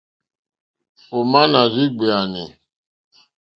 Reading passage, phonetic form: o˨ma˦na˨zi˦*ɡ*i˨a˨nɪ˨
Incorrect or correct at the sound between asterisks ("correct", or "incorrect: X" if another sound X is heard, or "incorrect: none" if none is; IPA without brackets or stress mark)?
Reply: incorrect: ɡ͡b